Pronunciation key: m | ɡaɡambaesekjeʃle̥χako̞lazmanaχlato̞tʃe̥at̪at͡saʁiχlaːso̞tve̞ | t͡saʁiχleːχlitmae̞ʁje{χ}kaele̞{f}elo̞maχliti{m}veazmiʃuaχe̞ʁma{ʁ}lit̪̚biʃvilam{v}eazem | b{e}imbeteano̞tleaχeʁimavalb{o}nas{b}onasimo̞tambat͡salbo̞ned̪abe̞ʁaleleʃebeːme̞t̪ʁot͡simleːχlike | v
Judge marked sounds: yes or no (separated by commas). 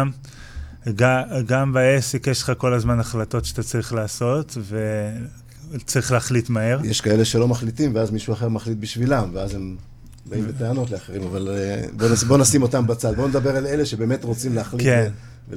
no, no, yes, no, yes, no, yes, yes